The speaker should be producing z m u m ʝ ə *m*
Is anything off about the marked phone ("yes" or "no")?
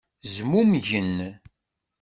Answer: yes